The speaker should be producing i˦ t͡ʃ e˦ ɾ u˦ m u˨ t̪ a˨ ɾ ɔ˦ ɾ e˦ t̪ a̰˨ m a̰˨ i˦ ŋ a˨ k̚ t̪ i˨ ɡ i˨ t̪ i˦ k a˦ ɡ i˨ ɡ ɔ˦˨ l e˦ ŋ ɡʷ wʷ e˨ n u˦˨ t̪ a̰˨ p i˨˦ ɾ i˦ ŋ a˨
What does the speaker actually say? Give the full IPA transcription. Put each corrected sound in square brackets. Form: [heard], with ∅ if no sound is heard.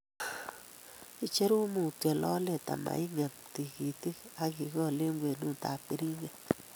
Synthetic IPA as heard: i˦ t͡ʃ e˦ ɾ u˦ m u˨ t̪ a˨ [l] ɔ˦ [l] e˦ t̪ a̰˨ m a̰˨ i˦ ŋ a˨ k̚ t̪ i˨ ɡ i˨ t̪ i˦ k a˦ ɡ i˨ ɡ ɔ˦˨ l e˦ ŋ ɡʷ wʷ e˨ n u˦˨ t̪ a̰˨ p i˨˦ ɾ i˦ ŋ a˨